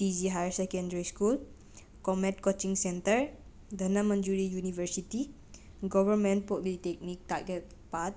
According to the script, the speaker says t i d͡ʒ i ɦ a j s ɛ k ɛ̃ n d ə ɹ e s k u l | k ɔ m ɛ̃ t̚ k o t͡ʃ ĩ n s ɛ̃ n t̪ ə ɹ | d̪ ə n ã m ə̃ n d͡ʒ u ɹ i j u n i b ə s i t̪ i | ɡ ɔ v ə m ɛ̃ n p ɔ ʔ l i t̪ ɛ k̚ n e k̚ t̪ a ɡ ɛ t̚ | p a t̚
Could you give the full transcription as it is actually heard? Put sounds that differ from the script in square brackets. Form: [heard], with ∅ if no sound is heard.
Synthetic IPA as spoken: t i d͡ʒ i ɦ a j s ɛ k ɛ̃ n d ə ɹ [i] s k u l | k ɔ m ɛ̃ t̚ k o t͡ʃ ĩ [ŋ] s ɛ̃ n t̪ ə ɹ | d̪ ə n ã m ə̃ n d͡ʒ u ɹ i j u n i [v] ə s i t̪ i | ɡ ɔ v ə m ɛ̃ n p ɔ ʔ l i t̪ ɛ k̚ n [i] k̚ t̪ a ɡ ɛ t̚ | p a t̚